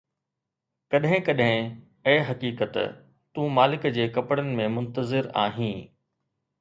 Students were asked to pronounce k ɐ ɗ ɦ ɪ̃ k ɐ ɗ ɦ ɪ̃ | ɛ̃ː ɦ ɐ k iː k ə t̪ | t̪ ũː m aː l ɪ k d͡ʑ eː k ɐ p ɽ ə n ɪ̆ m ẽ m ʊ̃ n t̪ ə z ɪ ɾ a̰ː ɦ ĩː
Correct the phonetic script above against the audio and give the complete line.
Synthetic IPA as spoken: k ɐ ɗ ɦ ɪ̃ k ɐ ɗ ɦ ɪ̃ | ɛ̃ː ɦ ɐ k iː k ə t̪ | t̪ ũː m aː l ɪ k d͡ʑ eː k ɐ p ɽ ə n ɪ̆ m ẽ m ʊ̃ n t̪ ə z ɪ ɾ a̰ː ɦ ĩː